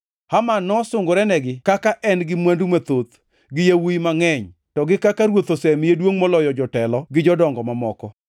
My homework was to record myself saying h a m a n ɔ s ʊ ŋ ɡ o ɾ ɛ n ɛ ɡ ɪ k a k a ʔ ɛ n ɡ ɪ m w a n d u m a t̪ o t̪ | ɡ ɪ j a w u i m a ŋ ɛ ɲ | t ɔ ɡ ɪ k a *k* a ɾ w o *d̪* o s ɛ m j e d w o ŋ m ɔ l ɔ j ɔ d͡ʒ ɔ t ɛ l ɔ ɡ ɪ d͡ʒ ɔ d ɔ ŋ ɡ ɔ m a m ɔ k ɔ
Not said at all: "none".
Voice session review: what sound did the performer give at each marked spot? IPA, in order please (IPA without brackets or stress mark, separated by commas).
k, t̪